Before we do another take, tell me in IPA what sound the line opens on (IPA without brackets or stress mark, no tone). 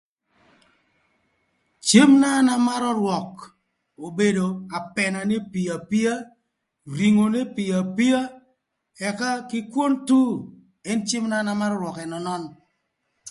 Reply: t͡ʃ